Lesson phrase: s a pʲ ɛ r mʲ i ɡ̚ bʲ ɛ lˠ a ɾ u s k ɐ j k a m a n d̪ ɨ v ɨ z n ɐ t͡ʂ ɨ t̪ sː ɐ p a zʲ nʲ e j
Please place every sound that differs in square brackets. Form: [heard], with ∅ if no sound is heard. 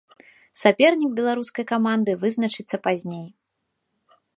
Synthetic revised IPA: s a pʲ ɛ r [nʲ] i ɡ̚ bʲ ɛ lˠ a ɾ u s k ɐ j k a m a n d̪ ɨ v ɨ z n ɐ t͡ʂ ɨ t̪ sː ɐ p a zʲ nʲ e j